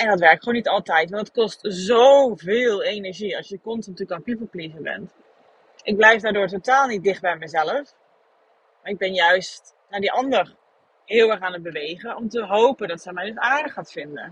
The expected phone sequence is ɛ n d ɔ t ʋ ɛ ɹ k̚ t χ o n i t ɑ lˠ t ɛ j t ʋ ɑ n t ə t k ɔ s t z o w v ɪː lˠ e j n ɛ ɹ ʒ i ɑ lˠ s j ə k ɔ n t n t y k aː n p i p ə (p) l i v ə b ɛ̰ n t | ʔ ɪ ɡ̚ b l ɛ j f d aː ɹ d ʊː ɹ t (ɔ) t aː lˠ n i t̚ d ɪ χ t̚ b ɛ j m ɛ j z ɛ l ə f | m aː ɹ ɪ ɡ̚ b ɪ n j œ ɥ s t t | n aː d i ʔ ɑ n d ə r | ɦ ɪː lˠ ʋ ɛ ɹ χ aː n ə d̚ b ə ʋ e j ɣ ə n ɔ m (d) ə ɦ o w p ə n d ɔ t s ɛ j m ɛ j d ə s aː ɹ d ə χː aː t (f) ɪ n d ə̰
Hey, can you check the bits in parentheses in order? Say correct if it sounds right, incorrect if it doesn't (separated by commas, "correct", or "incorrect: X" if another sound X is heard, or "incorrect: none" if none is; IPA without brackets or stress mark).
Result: correct, incorrect: o, incorrect: t, correct